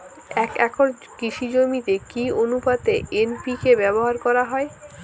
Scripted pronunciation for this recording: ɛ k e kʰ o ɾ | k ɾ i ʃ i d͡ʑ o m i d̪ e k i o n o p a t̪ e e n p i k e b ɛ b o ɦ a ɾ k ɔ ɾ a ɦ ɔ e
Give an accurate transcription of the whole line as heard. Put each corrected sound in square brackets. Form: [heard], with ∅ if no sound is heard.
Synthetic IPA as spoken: ɛ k [ɛ] kʰ o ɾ | k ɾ i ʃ i d͡ʑ o m i [t̪] e k i o n [u] p a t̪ e e n p i k e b ɛ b o ɦ a ɾ k ɔ ɾ a ɦ ɔ e